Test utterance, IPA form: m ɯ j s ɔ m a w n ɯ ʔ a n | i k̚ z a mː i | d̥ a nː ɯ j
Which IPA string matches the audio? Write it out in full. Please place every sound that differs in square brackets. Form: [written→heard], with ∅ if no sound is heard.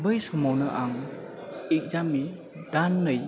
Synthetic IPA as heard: [m→b] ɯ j s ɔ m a w n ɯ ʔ a [n→ŋ] | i k̚ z a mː i | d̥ a nː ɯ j